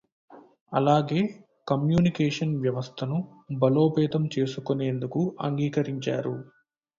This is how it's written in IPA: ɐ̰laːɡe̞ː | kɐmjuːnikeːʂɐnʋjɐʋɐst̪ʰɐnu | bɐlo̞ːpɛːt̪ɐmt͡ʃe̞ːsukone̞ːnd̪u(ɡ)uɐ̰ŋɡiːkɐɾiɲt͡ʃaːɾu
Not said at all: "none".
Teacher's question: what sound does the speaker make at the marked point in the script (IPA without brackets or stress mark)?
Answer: k